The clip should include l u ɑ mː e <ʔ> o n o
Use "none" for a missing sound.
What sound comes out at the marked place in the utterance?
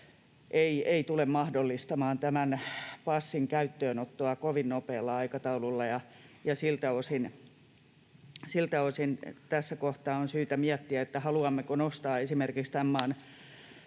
k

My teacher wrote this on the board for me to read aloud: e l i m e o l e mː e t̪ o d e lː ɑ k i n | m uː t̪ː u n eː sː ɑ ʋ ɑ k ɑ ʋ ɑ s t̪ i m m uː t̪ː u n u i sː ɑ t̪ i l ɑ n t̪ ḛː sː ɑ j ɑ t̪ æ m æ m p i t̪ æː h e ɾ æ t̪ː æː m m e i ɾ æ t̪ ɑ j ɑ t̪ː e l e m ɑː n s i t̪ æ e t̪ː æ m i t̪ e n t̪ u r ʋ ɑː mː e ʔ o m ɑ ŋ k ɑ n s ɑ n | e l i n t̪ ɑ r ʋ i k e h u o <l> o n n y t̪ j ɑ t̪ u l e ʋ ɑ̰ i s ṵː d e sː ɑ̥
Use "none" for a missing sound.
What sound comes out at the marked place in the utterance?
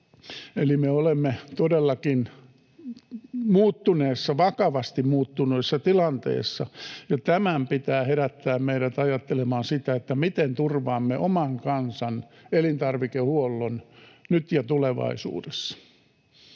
lː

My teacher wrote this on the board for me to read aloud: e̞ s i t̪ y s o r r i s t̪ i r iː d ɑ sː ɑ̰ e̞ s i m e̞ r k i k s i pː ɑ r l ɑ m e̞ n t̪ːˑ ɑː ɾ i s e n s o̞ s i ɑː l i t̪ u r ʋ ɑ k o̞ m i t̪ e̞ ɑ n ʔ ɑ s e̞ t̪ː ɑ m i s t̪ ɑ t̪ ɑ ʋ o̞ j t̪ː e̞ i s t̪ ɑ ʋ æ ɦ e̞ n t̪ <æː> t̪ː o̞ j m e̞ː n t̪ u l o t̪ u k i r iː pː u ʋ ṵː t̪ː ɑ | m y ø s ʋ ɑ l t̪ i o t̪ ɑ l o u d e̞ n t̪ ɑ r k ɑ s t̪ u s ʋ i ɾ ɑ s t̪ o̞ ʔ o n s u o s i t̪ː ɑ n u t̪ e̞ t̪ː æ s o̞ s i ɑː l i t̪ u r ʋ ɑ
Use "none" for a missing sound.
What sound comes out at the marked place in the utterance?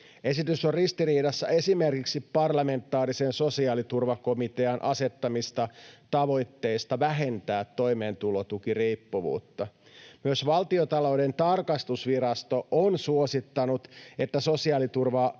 æː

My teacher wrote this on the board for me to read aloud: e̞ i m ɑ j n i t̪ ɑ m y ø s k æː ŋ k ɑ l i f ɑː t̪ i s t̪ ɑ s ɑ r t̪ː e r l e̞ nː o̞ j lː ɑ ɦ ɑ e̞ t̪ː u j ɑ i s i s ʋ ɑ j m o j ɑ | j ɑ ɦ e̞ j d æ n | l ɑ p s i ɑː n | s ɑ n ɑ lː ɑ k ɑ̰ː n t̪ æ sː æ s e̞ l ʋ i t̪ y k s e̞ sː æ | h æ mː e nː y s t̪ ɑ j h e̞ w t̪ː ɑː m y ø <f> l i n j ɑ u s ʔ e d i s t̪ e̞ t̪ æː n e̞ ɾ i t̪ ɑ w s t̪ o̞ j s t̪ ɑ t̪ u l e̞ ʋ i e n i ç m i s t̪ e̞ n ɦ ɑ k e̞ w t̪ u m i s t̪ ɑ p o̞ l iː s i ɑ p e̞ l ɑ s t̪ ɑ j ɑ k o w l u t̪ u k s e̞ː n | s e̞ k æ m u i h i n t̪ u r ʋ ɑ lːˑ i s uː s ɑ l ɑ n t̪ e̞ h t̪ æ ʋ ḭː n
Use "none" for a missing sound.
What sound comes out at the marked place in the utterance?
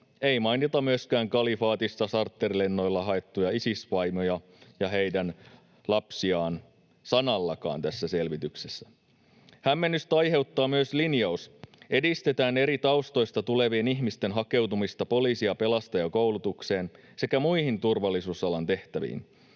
s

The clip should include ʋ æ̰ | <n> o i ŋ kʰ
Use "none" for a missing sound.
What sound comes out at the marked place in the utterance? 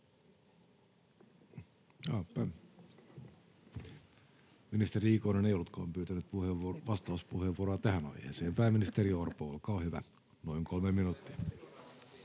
n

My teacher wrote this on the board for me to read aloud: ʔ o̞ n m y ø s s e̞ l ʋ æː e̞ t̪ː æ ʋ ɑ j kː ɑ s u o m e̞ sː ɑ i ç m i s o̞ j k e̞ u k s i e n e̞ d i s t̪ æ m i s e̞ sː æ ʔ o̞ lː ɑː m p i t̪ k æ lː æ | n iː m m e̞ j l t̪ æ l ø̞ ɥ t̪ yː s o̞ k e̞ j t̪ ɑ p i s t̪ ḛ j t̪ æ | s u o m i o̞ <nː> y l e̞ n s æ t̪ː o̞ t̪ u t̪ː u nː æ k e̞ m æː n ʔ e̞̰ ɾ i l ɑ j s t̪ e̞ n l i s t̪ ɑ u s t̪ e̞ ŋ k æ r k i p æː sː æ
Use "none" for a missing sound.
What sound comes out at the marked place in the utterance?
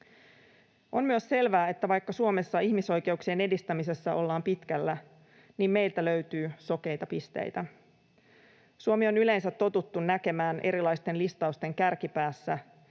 n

